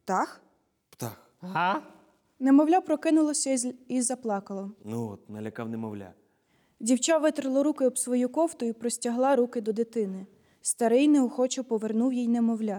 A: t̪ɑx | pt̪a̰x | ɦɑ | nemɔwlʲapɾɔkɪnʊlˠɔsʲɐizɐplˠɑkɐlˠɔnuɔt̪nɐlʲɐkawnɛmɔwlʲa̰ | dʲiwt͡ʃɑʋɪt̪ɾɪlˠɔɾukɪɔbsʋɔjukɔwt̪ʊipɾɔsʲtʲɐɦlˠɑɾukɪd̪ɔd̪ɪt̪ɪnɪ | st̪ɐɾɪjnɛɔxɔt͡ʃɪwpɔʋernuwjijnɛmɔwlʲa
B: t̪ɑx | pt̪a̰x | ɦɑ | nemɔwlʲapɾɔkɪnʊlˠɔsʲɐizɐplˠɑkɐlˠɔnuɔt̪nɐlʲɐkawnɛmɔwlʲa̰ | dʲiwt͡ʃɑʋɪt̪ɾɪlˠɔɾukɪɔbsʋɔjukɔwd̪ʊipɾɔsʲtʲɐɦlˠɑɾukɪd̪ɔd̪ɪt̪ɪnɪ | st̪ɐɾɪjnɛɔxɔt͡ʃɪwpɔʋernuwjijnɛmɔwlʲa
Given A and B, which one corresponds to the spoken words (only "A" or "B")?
A